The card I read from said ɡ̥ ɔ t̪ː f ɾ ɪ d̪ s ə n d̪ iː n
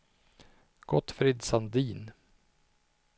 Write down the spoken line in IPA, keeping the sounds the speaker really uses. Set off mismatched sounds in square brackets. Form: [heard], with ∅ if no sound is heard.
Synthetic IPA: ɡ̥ ɔ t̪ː f ɾ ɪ d̪ s [a] n d̪ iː n